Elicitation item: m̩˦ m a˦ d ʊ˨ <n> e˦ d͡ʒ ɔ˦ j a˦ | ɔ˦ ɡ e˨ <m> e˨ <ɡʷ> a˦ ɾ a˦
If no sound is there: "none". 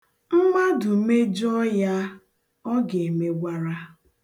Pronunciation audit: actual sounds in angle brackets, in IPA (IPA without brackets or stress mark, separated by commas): m, m, ɡʷ